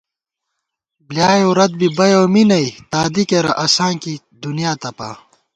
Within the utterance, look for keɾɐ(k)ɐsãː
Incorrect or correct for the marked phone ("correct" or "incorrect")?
incorrect